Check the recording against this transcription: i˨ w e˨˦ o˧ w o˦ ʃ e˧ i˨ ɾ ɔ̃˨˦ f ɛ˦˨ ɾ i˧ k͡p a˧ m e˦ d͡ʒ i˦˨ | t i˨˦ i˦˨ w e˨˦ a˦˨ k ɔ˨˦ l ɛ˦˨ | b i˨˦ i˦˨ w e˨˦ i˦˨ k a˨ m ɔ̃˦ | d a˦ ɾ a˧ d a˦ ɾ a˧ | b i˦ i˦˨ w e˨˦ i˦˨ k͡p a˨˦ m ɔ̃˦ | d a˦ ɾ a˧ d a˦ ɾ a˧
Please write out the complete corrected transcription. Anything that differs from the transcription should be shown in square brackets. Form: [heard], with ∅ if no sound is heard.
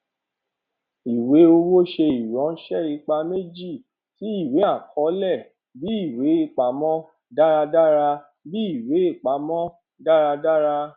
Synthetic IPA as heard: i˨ w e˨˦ o˧ w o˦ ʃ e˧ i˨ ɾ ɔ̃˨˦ [ʃ] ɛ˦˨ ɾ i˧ k͡p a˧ m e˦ d͡ʒ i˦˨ | t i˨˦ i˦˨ w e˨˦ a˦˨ k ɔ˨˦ l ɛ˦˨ | b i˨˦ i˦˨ w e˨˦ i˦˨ [k͡p] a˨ m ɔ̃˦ | d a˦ ɾ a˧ d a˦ ɾ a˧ | b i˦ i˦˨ w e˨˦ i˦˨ k͡p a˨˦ m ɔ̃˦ | d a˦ ɾ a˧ d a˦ ɾ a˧